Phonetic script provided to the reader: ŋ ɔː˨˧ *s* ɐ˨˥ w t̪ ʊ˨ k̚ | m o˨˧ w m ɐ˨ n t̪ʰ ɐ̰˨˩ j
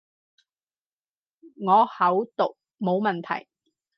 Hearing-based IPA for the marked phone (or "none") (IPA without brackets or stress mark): h